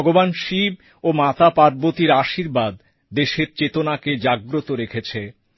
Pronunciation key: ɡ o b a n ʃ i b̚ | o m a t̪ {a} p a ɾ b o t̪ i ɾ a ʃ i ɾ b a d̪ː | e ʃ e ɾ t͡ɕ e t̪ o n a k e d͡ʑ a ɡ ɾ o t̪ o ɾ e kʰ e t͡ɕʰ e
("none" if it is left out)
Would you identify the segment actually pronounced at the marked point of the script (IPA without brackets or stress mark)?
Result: a